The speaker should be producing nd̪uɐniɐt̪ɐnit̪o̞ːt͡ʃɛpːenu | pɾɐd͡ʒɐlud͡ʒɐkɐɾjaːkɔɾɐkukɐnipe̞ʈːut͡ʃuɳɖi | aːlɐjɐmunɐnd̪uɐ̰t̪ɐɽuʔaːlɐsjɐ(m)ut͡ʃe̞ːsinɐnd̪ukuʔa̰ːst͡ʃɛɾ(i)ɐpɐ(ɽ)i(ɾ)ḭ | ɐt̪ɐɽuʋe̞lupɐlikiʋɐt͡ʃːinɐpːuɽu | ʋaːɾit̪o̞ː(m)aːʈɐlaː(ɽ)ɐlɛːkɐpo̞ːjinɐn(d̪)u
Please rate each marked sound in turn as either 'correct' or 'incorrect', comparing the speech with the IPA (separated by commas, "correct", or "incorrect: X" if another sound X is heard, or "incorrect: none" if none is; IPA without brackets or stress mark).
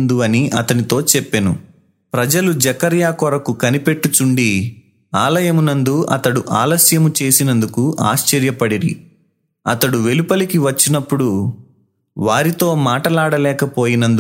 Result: correct, incorrect: j, correct, correct, correct, correct, correct